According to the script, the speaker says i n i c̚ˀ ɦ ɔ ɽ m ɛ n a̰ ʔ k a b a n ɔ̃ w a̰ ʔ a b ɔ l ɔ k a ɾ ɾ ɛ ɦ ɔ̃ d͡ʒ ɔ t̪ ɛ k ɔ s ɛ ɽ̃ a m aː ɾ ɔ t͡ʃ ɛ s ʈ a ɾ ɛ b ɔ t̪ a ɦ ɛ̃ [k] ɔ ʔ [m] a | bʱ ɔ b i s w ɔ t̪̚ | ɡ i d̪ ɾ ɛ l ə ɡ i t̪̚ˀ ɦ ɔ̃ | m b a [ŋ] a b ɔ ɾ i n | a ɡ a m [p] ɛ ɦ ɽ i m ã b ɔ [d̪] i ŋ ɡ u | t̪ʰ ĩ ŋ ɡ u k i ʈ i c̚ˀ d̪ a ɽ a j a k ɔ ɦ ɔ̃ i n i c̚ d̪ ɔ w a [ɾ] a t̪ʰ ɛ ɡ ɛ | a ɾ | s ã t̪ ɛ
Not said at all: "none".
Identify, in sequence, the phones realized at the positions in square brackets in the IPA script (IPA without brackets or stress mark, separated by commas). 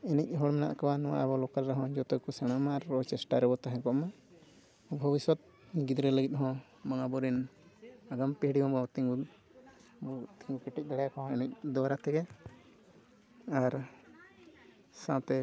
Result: k, m, ŋ, p, t̪, ɾ